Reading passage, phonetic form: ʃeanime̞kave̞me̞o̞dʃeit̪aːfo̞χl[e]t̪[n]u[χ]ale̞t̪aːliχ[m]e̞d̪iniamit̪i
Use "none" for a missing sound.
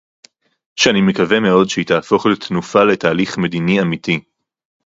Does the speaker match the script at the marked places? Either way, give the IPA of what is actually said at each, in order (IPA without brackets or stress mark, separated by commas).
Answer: e, n, f, m